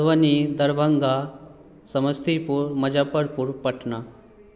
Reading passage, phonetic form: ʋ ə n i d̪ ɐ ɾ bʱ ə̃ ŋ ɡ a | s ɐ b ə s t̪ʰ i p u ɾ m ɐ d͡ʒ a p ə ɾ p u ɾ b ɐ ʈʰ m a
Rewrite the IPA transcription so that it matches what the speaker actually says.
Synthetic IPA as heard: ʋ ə n i d̪ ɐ ɾ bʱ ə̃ ŋ ɡ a | s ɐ m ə s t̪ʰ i p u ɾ m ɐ d͡ʒ a p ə ɾ p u ɾ p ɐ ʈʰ n a